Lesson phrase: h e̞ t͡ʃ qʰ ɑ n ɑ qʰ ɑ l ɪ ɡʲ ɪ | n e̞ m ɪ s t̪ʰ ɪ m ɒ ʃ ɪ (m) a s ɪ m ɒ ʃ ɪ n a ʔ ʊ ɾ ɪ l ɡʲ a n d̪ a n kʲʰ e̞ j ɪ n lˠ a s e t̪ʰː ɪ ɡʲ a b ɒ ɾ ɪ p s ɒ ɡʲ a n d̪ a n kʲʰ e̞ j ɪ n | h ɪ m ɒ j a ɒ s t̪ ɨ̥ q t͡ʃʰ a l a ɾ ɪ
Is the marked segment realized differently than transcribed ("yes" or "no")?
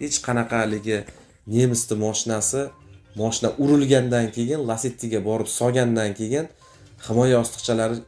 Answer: yes